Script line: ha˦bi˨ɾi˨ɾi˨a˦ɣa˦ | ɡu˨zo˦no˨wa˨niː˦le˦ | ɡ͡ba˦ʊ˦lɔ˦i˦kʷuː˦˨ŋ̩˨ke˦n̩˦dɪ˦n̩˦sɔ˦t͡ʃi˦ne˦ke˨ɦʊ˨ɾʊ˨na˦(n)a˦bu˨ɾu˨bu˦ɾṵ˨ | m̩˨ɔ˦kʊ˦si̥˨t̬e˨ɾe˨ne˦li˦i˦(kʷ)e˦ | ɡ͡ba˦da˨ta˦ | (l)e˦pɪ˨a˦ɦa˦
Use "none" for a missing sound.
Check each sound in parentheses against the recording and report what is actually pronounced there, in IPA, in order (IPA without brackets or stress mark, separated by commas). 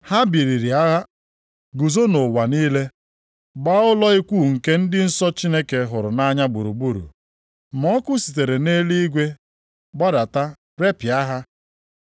ɲ, ɡʷ, ɾ